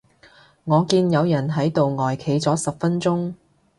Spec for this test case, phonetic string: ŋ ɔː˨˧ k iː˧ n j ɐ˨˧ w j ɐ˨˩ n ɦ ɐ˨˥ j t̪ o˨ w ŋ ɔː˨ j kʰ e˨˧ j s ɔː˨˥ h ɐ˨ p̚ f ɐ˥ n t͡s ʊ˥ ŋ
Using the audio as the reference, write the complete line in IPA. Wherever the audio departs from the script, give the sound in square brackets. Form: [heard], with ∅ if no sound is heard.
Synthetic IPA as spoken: ŋ ɔː˨˧ k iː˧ n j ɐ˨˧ w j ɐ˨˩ n ɦ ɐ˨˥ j t̪ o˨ w ŋ ɔː˨ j kʰ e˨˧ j [t͡s] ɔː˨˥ [s] ɐ˨ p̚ f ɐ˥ n t͡s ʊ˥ ŋ